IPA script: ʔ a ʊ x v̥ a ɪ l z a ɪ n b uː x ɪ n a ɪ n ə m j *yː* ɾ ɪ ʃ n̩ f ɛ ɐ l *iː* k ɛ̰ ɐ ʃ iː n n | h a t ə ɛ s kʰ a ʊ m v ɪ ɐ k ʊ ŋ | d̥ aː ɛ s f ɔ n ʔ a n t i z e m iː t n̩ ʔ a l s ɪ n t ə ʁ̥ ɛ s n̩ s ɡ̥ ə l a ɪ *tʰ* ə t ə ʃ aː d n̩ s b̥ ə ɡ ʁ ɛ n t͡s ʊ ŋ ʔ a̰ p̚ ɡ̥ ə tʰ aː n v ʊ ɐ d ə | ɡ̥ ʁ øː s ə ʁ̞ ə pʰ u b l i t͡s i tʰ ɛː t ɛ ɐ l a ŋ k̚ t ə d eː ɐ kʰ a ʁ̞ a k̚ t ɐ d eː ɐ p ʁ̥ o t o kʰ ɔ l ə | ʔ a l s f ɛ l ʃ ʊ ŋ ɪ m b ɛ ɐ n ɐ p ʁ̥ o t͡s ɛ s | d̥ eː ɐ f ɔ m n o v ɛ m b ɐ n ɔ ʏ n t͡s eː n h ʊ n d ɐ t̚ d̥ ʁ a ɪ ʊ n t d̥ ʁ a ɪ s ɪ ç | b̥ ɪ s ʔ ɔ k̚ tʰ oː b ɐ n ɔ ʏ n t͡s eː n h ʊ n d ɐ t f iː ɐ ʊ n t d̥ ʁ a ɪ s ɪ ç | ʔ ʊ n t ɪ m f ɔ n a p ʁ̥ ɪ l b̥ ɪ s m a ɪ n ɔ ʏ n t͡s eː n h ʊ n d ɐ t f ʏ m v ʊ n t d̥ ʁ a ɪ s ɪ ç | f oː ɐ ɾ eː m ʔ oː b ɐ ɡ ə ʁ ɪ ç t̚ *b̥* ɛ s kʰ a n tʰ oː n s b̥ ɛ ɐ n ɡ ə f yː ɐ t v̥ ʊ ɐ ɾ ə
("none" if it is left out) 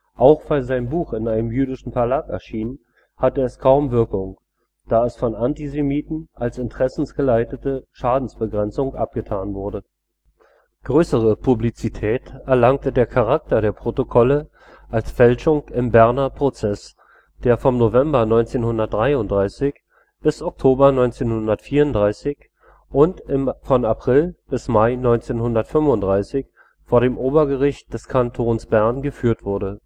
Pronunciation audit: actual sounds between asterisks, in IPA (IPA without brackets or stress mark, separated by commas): yː, aː, t, d̥